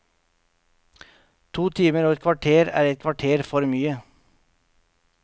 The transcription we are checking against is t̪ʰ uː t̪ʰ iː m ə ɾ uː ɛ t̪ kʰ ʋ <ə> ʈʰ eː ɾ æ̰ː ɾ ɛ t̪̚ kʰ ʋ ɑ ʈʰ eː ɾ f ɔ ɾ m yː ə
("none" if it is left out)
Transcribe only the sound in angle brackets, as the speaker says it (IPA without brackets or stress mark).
ɑ